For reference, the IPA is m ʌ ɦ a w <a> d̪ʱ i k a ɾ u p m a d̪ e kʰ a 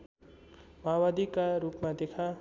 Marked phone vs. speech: correct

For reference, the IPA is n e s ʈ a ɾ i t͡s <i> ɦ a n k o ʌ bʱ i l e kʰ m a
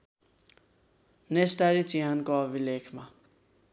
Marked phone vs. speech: correct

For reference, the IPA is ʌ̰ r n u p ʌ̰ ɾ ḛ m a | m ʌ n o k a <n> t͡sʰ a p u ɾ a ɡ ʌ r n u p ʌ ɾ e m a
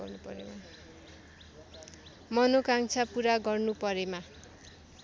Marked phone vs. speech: incorrect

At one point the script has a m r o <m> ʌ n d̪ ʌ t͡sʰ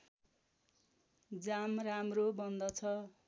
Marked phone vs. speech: incorrect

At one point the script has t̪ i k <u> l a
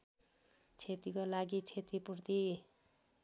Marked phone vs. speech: incorrect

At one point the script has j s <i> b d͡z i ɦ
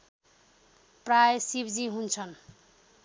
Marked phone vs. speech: correct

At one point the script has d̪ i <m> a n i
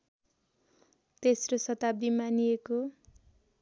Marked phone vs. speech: correct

